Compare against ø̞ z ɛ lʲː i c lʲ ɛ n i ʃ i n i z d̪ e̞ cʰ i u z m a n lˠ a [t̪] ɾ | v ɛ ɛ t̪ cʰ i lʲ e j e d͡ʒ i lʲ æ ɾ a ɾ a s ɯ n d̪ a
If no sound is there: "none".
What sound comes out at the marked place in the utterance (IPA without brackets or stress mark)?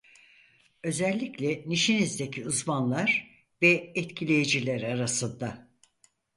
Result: none